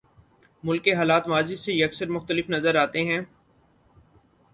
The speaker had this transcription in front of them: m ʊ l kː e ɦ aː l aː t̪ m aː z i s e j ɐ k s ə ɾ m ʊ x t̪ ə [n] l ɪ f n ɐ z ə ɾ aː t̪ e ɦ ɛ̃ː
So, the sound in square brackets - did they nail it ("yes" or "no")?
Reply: no